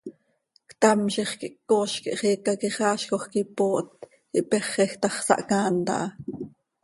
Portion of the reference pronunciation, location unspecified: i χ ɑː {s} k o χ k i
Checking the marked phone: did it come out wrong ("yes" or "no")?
yes